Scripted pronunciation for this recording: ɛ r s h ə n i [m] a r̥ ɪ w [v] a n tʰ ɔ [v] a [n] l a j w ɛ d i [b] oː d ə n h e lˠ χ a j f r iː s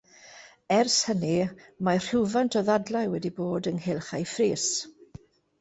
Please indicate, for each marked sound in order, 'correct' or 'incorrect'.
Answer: correct, correct, incorrect: ð, incorrect: d, correct

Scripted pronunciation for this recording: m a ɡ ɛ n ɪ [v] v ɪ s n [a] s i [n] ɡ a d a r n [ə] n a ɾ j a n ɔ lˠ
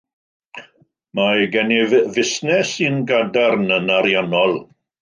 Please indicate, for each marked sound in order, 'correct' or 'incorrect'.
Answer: correct, incorrect: ɛ, correct, correct

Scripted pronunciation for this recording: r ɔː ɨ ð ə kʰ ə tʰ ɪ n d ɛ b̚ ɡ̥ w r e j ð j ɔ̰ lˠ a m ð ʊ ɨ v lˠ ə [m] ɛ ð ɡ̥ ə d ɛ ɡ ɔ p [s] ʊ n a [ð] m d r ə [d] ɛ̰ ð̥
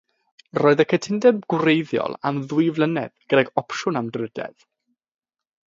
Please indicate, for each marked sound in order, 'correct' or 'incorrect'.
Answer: incorrect: n, incorrect: ʃ, incorrect: none, correct

